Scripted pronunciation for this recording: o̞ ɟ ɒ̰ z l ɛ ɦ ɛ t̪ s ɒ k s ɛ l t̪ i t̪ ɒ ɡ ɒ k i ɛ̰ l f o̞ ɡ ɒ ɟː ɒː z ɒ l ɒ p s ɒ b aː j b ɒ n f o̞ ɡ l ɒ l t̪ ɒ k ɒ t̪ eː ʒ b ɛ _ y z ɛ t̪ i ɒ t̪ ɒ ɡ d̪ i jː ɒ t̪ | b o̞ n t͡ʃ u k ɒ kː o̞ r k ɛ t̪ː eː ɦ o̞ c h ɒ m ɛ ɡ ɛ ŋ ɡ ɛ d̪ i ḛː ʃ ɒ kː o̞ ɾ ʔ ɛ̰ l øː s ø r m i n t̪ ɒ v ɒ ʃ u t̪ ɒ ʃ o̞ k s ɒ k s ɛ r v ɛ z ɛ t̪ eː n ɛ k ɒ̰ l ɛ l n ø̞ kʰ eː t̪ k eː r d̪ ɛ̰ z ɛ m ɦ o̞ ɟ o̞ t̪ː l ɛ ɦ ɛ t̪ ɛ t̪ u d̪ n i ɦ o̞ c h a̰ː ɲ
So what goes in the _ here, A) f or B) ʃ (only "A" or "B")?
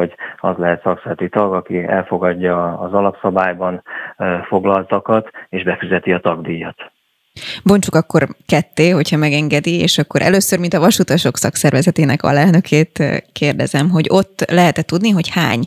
A